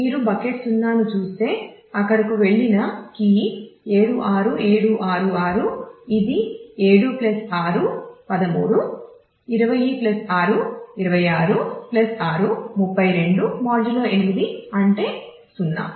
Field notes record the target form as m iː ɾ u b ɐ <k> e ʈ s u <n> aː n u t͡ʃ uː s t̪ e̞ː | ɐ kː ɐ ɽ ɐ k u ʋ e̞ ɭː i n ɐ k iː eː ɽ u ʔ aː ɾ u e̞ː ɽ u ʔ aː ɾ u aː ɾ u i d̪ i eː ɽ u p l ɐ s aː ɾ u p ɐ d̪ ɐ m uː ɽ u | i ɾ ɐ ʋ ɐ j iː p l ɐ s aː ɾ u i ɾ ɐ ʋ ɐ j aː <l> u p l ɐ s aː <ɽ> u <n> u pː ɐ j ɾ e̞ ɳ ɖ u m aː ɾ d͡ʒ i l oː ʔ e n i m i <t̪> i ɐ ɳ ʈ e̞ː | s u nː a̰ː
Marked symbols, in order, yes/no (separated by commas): yes, no, no, no, no, no